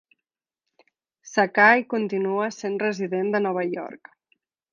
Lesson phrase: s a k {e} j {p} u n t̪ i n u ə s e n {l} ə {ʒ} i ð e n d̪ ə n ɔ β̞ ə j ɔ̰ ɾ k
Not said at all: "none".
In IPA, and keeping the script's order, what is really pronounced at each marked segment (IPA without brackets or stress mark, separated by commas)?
a, k, r, z